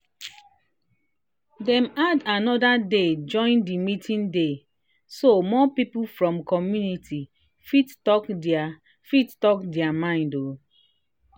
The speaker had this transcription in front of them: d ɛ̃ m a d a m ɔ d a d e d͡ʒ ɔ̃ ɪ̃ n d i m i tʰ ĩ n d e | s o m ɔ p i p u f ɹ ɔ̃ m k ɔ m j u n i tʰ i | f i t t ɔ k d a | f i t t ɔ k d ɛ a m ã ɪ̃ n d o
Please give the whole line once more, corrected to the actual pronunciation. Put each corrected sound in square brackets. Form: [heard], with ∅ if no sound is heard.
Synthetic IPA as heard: d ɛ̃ m a d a [n] ɔ d a d e d͡ʒ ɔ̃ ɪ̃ n d i m i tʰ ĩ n d e | s o m ɔ p i p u f ɹ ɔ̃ m k ɔ m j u n i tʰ i | f i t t ɔ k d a | f i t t ɔ k d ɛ a m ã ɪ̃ n d o